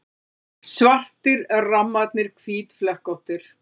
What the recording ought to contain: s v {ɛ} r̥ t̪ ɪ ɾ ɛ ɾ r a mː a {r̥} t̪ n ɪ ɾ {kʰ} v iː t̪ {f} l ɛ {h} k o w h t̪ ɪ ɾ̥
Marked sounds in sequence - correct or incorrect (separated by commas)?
incorrect, incorrect, correct, correct, correct